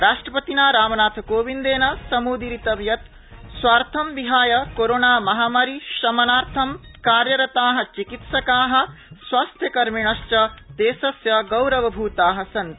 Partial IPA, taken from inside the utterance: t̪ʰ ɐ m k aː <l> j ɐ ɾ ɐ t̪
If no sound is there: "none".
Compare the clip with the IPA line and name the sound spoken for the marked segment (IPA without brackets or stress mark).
ɾ